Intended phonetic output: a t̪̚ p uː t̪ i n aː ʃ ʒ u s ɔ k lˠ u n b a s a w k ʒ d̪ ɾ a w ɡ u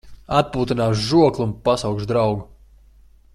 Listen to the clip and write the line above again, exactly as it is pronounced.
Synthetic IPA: a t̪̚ p uː t̪ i n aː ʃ ʒ u ɔ k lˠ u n p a s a w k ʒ d̪ ɾ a w ɡ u

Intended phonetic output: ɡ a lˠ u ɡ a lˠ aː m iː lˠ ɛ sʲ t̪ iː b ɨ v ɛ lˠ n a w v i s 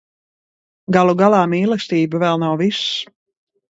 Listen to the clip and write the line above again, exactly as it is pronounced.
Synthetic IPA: ɡ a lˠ u ɡ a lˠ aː m iː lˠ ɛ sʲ t̪ iː b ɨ v ɛ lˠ n a w v i s

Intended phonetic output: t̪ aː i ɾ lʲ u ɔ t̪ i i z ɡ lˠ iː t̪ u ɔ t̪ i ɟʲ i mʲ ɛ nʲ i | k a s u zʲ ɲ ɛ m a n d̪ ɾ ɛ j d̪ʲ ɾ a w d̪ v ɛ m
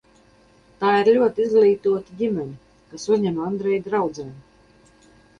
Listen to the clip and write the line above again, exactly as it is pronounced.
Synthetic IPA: t̪ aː i ɾ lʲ u ɔ t̪ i i z ɡ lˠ iː t̪ u ɔ t̪ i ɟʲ i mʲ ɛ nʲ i | k a s u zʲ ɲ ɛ m a n d̪ ɾ ɛ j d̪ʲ ɾ a w d̪ z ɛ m

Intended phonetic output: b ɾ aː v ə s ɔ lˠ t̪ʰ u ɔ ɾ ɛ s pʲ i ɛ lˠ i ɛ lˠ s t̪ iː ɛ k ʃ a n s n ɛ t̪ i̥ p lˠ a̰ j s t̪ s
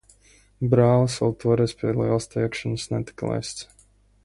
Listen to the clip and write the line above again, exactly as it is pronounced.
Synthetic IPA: b ɾ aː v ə s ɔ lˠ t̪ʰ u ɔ ɾ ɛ s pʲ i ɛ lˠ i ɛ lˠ s t̪ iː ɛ k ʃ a n s n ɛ t̪ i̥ k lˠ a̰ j s t̪ s

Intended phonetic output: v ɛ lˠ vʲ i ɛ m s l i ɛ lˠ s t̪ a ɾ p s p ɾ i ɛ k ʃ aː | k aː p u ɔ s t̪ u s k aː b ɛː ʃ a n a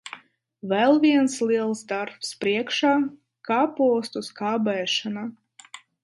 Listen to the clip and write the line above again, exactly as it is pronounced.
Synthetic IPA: v ɛ lˠ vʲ i ɛ n s l i ɛ lˠ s d̪ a ɾ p s p ɾ i ɛ k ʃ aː | k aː p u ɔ s t̪ u s k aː b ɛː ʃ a n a

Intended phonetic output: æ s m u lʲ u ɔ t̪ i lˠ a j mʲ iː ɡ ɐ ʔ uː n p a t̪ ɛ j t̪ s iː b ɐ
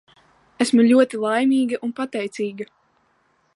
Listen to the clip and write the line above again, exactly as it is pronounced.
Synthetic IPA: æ s m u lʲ u ɔ t̪ i lˠ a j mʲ iː ɡ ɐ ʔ u n p a t̪ ɛ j t̪ s iː ɡ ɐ

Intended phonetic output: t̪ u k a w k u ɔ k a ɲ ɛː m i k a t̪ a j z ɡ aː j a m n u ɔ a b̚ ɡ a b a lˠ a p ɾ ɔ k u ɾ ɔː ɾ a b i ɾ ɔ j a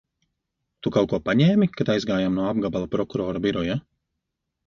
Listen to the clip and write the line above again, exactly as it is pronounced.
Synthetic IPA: t̪ u k a w k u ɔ p a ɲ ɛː m i k a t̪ a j z ɡ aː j a m n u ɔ a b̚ ɡ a b a lˠ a p ɾ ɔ k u ɾ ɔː ɾ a b i ɾ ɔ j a

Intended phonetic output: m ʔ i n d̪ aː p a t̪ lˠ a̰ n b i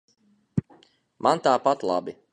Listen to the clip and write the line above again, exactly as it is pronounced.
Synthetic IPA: m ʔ a n t̪ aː p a t̪ lˠ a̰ b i

